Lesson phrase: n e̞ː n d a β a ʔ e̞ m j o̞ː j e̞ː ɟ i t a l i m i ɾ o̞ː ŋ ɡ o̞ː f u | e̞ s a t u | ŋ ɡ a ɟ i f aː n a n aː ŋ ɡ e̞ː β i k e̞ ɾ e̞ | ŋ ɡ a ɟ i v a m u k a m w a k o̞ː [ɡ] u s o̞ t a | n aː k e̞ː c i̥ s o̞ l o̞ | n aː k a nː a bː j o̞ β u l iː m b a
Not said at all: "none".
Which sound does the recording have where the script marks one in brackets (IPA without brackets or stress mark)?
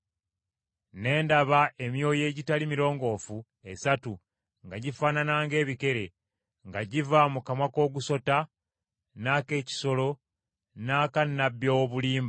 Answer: ɡ